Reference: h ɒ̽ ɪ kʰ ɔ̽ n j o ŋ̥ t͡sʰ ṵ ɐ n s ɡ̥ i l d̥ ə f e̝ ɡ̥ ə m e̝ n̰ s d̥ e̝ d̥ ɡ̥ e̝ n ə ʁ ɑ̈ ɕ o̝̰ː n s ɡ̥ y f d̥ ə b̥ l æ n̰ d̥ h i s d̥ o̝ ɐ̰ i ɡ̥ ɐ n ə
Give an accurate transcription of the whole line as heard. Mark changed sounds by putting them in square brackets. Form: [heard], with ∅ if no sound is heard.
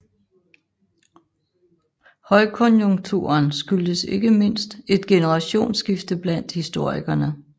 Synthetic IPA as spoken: h ɒ̽ ɪ kʰ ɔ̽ n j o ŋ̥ t͡sʰ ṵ ɐ n s ɡ̥ [y] l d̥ ə [s] e̝ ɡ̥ ə m e̝ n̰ s d̥ e̝ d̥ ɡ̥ e̝ n ə ʁ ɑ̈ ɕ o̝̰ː n s ɡ̥ [i] f d̥ ə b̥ l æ n̰ d̥ h i s d̥ o̝ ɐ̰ i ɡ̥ ɐ n ə

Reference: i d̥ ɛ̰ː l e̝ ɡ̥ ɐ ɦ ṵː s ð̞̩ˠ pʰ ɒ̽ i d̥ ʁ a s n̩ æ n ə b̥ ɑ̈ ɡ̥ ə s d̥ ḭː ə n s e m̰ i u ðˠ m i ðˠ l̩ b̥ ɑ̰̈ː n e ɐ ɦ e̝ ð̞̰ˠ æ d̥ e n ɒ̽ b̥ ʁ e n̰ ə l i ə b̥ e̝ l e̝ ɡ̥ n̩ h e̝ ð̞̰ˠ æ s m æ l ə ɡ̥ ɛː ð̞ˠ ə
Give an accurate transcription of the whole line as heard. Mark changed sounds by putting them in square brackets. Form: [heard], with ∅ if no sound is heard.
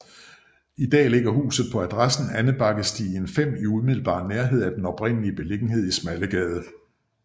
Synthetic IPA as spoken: i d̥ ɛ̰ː l e̝ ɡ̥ ɐ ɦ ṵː s ð̞̩ˠ pʰ ɒ̽ [æ] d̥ ʁ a s n̩ æ n ə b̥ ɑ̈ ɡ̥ ə s d̥ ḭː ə n [f] e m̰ i u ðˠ m i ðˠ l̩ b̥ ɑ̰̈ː n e ɐ ɦ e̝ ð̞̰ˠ æ d̥ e n ɒ̽ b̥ ʁ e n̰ ə l i ə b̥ e̝ l e̝ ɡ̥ n̩ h e̝ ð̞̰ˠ [i] s m æ l ə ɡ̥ ɛː ð̞ˠ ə

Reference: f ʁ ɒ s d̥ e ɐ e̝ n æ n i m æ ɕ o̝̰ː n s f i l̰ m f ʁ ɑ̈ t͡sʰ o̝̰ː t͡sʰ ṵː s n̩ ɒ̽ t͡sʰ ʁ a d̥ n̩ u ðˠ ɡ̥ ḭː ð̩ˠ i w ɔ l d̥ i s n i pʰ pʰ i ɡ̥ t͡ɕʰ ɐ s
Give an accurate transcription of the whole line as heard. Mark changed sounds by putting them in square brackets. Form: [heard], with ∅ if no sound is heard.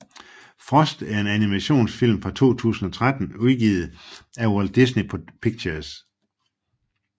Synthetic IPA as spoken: f ʁ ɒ s d̥ [æ] ɐ e̝ n æ n i m æ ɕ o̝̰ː n s f i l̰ m f ʁ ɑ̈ t͡sʰ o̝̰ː t͡sʰ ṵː s n̩ ɒ̽ t͡sʰ ʁ a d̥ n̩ u ðˠ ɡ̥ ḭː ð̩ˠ [æ] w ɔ l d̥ i s n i pʰ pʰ i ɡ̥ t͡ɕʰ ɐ s

